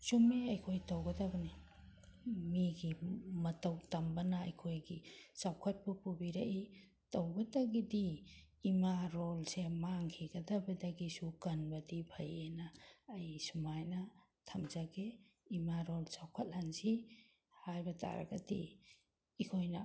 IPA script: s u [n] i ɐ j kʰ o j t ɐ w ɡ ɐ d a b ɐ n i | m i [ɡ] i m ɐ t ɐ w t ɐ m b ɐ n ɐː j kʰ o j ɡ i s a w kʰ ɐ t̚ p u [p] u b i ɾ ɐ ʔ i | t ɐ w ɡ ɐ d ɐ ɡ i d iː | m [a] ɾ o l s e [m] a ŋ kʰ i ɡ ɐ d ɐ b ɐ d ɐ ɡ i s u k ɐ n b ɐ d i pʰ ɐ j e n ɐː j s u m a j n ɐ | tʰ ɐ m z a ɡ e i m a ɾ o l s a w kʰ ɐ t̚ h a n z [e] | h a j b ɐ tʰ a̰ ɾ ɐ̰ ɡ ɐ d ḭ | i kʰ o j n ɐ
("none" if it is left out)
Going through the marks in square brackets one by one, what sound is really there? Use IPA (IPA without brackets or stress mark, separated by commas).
m, ɡ, p, a, m, i